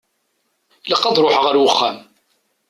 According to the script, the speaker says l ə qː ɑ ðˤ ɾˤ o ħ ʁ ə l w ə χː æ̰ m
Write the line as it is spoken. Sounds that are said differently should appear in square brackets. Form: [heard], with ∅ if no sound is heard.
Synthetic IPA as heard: l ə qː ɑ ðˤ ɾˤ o ħ ʁ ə [ɾ] w ə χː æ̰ m